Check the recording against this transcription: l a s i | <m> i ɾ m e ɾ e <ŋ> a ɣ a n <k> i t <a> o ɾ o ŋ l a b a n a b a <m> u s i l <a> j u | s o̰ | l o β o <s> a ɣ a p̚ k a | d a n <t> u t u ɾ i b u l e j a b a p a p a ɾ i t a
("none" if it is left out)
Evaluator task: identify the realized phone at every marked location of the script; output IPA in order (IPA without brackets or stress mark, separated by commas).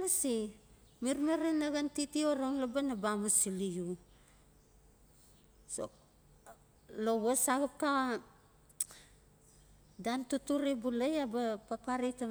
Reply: m, n, t, i, m, i, s, t